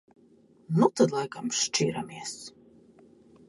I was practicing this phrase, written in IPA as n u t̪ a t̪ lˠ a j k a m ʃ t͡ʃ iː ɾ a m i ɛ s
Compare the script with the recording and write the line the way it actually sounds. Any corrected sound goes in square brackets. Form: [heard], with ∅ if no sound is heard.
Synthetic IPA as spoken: n u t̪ a [d̪] lˠ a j k a m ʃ t͡ʃ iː ɾ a m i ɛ s

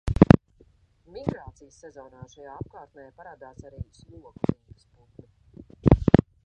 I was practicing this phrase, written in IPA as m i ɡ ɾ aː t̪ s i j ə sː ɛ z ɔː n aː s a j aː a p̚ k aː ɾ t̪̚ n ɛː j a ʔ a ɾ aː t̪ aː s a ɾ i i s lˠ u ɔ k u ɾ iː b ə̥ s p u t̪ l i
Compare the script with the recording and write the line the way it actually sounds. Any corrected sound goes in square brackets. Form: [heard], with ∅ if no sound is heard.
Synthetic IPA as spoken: m i ɡ ɾ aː t̪ s i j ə sː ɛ z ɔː n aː [ʃ] a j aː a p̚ k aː ɾ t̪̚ n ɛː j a [p] a ɾ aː [d̪] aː s a ɾ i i s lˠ u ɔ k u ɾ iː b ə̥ s p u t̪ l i

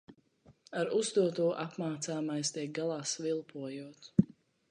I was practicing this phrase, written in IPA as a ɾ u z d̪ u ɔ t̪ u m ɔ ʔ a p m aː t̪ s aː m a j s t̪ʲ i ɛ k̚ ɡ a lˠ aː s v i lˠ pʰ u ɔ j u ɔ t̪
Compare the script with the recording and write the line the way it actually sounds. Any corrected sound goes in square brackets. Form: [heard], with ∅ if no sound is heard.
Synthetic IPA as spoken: a ɾ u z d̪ u ɔ t̪ u [∅] ɔ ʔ a p m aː t̪ s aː m a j s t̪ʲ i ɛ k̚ ɡ a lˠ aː s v i lˠ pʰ u ɔ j u ɔ t̪

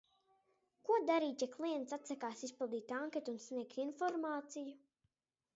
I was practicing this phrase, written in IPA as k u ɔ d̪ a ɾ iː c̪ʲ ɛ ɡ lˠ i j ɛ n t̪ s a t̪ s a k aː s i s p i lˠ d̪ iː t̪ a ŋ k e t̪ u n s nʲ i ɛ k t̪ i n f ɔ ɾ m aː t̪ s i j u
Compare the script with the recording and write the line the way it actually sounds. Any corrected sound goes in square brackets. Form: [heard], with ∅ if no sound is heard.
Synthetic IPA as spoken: k u ɔ d̪ a ɾ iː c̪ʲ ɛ [k] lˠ i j ɛ n t̪ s a t̪ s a k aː s i s p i lˠ d̪ iː t̪ a ŋ k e t̪ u n s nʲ i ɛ k t̪ i n f ɔ ɾ m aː t̪ s i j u

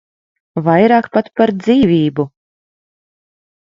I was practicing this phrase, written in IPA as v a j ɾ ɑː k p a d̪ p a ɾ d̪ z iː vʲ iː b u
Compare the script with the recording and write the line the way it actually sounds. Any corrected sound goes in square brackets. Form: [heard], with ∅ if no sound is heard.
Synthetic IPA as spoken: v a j ɾ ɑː k p a [t̪] p a ɾ d̪ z iː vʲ iː b u

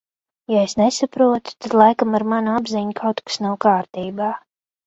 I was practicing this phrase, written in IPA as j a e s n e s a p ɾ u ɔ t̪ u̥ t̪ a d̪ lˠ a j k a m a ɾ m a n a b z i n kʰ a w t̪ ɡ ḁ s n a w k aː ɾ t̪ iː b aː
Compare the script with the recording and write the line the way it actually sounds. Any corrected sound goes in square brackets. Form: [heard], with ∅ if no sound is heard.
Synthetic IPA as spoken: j a e s n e s a p ɾ u ɔ t̪ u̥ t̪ a d̪ lˠ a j k a m a ɾ m a n a b z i [ɲ] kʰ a w t̪ [k] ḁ s n a w k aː ɾ t̪ iː b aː

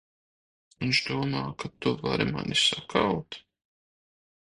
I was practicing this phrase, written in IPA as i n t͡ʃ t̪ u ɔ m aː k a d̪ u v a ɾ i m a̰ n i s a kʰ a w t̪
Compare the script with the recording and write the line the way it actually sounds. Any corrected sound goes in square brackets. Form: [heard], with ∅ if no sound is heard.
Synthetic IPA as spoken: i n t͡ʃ [d̪] u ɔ m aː k a [t̪] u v a ɾ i m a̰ n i s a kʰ a w t̪

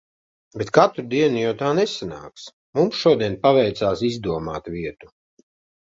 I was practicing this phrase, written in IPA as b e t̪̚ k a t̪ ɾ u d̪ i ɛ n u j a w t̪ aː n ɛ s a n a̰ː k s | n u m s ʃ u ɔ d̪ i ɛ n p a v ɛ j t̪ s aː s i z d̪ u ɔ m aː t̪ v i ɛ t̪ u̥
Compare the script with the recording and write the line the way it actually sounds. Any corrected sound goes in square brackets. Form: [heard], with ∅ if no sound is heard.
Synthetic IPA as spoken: b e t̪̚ k a t̪ ɾ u d̪ i ɛ n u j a w t̪ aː n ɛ s a n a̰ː k s | [m] u m s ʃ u ɔ d̪ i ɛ n p a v ɛ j t̪ s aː s i z d̪ u ɔ m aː t̪ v i ɛ t̪ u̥

